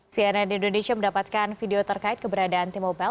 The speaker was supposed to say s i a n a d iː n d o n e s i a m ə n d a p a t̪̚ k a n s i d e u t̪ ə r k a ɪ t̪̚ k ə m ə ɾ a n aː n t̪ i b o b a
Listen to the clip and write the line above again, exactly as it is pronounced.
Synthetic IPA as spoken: s i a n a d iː n d o n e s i a m ə n d a p a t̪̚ k a n f i d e o t̪ ə r k a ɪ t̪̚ k ə b ə ɾ a d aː n t̪ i m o b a